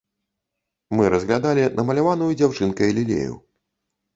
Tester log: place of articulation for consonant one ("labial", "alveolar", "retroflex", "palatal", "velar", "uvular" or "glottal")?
labial